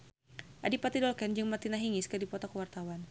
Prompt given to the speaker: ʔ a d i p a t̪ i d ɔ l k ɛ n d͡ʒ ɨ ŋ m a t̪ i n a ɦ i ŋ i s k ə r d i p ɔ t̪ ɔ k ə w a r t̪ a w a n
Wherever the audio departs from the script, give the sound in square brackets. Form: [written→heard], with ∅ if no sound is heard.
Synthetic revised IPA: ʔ a d i p a t̪ i d ɔ l k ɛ n d͡ʒ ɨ ŋ m a t̪ i n a ɦ i ŋ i s k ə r d i p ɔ t̪ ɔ k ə w a r t̪ a w a n